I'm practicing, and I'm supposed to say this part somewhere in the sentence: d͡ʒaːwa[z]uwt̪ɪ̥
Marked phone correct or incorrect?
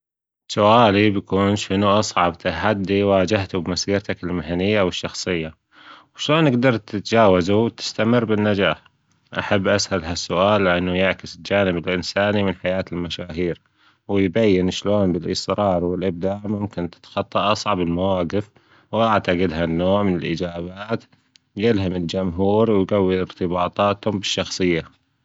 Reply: correct